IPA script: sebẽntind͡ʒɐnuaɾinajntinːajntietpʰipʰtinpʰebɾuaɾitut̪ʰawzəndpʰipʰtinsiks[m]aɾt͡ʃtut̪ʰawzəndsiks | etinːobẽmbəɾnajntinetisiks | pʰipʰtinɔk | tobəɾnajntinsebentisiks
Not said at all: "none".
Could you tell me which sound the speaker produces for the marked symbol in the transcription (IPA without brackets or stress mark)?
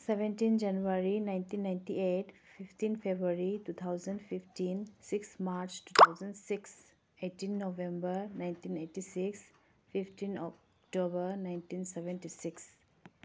m